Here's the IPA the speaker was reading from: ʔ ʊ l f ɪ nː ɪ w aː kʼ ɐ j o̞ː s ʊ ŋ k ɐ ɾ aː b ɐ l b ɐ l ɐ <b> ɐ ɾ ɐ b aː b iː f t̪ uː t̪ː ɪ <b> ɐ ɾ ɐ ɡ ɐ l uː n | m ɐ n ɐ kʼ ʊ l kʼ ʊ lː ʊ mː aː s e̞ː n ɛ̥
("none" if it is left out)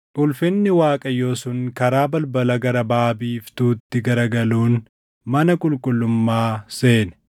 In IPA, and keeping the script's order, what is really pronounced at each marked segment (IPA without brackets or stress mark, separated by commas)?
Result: ɡ, ɡ